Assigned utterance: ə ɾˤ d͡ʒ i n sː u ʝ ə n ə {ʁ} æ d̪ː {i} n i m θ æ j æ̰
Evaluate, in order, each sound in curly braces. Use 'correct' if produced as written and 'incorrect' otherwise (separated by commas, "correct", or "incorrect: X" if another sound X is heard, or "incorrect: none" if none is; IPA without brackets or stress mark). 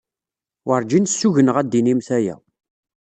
correct, correct